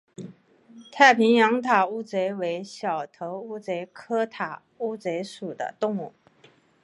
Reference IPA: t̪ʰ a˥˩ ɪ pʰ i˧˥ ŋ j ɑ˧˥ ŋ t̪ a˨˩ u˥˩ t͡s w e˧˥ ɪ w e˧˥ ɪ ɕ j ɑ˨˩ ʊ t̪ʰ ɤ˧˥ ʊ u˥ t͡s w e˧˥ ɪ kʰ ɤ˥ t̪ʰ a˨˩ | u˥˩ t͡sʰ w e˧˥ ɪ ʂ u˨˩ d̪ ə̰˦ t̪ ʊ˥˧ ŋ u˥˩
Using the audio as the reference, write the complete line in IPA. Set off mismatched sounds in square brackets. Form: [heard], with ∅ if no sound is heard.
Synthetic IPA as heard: t̪ʰ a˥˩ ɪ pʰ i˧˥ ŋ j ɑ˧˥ ŋ [t̪ʰ] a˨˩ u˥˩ t͡s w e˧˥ ɪ w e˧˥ ɪ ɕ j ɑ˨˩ ʊ t̪ʰ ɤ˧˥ ʊ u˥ t͡s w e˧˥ ɪ kʰ ɤ˥ t̪ʰ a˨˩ | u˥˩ [t͡s] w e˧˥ ɪ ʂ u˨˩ d̪ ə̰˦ t̪ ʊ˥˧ ŋ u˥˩

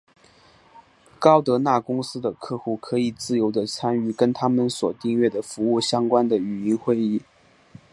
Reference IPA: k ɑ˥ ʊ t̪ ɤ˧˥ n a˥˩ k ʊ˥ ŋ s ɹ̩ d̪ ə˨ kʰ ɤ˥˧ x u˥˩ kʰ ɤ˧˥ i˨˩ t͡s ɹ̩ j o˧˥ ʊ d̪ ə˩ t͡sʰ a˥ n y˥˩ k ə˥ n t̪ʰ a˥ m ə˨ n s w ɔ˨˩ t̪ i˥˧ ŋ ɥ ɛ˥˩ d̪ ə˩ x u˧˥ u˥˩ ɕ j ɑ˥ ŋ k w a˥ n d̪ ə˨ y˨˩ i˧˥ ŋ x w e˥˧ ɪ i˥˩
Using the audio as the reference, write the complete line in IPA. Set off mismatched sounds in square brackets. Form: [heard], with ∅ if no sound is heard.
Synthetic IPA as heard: k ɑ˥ ʊ t̪ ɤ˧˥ n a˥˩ k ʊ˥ ŋ s ɹ̩ d̪ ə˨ kʰ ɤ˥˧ x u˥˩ kʰ ɤ˧˥ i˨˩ t͡s ɹ̩ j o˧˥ ʊ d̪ [ə˧] t͡sʰ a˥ n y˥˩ k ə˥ n t̪ʰ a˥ m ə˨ n s w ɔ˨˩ t̪ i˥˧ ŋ ɥ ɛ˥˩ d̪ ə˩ [f] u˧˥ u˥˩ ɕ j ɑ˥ ŋ k w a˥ n d̪ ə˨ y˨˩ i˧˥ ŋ x w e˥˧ ɪ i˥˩

